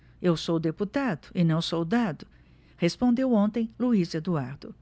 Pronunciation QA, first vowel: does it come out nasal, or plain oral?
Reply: oral